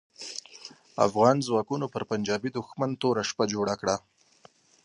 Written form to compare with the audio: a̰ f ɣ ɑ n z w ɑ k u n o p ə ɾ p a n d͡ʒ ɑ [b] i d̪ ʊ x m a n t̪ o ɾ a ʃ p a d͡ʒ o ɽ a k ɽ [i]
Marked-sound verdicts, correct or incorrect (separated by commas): correct, incorrect